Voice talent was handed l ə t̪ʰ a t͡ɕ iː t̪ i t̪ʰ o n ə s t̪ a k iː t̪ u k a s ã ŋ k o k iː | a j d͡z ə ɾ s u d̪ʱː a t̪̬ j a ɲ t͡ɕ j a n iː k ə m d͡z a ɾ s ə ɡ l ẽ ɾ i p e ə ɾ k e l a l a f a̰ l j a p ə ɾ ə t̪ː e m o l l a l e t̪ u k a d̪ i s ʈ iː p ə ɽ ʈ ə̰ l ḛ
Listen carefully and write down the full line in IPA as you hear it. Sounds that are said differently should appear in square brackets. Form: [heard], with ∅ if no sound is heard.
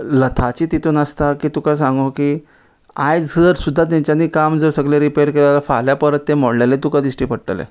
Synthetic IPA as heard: l ə t̪ʰ a t͡ɕ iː t̪ i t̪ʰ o n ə s t̪ a k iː t̪ u k a s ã ŋ [ɡ] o k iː | a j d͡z ə ɾ s u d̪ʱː a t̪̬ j a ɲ t͡ɕ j a n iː k [a] m d͡z [ə] ɾ s ə ɡ l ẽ ɾ i p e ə ɾ k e l a l a f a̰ l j a p ə ɾ ə t̪ː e m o [ɽ] l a l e t̪ u k a d̪ i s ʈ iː p ə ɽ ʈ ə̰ l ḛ